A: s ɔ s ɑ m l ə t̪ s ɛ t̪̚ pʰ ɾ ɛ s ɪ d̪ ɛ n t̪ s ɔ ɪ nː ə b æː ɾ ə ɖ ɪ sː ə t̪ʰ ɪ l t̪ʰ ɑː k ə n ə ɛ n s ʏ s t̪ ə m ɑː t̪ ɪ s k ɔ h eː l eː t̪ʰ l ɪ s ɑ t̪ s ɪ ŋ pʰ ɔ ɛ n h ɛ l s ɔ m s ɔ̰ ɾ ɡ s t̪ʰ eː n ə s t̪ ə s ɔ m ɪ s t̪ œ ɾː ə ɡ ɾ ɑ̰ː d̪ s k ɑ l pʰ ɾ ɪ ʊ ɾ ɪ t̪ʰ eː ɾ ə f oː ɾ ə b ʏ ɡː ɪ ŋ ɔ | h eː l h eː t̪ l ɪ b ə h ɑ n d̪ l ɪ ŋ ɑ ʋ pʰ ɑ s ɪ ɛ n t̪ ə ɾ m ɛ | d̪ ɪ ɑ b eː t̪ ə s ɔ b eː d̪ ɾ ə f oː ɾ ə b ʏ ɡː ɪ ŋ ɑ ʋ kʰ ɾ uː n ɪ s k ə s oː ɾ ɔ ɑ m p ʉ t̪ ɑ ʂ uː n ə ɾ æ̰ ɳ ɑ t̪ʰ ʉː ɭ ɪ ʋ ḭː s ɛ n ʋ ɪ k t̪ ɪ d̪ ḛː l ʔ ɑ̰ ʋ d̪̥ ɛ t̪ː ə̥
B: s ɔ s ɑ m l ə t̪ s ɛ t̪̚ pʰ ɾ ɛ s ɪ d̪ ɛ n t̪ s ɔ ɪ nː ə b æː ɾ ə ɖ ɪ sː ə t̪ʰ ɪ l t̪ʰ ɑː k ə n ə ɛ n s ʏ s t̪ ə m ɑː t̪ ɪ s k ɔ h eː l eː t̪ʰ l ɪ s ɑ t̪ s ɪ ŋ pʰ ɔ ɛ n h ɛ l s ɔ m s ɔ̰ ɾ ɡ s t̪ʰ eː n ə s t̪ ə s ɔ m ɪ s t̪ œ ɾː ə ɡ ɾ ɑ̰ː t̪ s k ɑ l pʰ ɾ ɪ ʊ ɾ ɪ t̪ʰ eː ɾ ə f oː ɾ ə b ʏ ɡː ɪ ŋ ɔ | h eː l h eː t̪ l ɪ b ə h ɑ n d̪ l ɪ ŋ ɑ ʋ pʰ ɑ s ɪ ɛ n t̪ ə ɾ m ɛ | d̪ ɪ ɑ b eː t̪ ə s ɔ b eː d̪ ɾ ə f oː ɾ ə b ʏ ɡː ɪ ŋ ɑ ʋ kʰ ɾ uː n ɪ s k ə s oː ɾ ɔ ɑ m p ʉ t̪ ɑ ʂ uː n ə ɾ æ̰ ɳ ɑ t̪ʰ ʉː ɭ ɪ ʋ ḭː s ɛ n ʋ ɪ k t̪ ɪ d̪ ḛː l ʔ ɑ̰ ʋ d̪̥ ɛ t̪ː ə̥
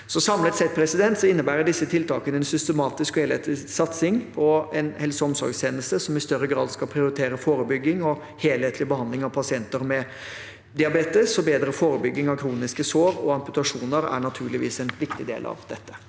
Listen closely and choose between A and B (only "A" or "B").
A